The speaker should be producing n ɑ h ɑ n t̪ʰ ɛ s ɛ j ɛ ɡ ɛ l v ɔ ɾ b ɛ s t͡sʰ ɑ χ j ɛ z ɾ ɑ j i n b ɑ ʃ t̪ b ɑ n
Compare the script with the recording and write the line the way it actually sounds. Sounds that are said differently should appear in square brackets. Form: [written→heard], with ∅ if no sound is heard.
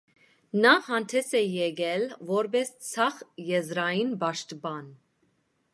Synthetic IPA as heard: n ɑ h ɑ n t̪ʰ ɛ s ɛ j ɛ ɡ ɛ l v ɔ ɾ b ɛ s t͡sʰ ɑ χ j ɛ z ɾ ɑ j i n b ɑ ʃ t̪ b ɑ n